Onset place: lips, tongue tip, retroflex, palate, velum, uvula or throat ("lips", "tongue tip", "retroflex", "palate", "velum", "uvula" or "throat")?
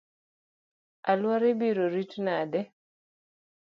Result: tongue tip